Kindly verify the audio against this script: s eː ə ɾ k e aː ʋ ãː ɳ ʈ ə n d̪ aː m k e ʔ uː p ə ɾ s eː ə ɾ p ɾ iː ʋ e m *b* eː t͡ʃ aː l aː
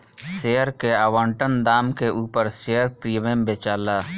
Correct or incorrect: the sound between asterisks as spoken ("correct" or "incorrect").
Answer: correct